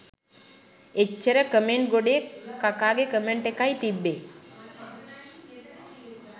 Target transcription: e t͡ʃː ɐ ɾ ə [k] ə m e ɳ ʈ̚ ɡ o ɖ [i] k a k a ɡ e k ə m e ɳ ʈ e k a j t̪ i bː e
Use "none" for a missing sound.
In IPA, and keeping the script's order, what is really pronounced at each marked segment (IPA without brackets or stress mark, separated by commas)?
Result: k, e